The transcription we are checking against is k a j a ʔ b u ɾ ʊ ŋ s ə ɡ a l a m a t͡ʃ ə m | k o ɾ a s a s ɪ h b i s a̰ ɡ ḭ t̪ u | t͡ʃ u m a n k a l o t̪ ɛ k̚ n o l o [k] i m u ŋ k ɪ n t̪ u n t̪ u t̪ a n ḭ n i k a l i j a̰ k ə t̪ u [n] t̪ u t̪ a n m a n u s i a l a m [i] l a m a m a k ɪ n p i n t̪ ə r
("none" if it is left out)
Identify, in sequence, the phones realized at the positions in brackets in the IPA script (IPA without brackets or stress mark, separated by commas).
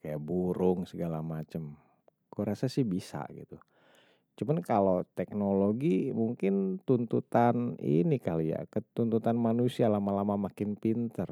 ɡ, n, a